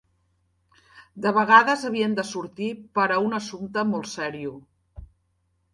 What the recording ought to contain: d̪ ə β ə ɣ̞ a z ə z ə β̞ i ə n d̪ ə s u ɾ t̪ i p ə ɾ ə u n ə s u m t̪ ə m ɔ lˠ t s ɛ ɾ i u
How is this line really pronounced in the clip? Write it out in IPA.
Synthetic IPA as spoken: d̪ ə β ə ɣ̞ a ð ə z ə β̞ i ə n d̪ ə s u ɾ t̪ i p ə ɾ ə u n ə s u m t̪ ə m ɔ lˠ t s ɛ ɾ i u